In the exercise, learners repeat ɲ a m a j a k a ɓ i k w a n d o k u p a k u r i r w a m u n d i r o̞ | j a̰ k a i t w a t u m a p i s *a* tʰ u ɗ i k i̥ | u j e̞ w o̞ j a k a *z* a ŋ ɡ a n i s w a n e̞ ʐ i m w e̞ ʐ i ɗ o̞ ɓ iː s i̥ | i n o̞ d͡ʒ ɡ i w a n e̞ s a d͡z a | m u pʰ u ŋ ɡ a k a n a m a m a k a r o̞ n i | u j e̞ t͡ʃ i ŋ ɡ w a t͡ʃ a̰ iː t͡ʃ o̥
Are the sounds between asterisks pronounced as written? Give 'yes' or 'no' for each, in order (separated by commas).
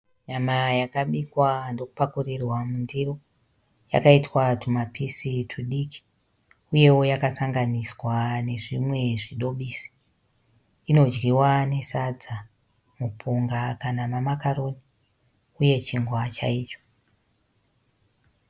no, no